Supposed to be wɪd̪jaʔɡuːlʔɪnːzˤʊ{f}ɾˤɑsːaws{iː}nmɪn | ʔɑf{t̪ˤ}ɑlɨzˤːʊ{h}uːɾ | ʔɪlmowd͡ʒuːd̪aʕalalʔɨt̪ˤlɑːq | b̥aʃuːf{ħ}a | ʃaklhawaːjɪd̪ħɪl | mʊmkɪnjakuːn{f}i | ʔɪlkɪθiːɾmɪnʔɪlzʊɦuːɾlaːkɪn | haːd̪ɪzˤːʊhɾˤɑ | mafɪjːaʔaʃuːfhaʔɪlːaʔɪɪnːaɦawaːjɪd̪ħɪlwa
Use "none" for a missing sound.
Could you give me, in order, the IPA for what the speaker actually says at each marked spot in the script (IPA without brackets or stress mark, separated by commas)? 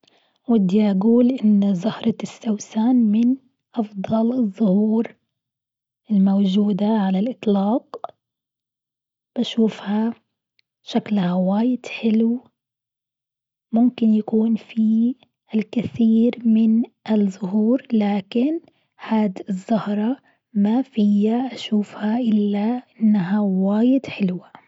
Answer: h, aː, d̪ˤ, h, h, f